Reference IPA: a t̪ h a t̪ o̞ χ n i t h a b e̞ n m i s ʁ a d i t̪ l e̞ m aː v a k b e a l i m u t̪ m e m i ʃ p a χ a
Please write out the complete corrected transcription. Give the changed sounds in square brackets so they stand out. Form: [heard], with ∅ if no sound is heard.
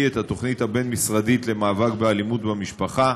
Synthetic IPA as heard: [e] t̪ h a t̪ o̞ χ n i t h a b e̞ n m i s ʁ a d i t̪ l e̞ m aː v a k b e a l i m u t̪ [b] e m i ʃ p a χ a